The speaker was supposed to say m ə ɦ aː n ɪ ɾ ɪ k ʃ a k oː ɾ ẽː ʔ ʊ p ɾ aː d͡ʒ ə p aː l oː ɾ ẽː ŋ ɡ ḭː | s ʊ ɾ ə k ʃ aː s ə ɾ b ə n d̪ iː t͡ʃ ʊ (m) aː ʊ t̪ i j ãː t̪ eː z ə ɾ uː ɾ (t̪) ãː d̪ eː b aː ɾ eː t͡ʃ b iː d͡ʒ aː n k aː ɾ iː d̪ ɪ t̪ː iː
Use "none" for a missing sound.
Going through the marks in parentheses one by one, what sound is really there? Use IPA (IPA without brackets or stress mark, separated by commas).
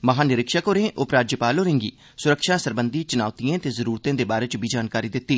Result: n, t̪